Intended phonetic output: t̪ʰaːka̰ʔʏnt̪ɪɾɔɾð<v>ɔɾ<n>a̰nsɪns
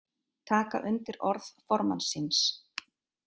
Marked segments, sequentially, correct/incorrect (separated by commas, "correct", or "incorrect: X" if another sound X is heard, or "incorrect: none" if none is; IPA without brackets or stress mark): incorrect: f, incorrect: m